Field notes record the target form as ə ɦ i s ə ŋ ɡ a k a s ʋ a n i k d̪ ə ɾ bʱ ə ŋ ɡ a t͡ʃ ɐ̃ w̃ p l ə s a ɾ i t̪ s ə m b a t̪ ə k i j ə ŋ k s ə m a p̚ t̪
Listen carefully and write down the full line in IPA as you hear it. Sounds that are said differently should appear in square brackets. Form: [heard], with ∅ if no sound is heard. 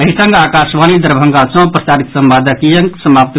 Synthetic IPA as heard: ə ɦ i s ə ŋ ɡ a k a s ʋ a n i [∅] d̪ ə ɾ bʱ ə ŋ ɡ a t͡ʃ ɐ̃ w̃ p [ɾ] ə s a ɾ i t̪ s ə m b a [d̪] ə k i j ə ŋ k s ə m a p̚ t̪